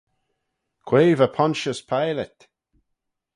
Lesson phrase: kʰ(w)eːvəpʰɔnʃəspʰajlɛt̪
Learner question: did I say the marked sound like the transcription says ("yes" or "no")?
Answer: yes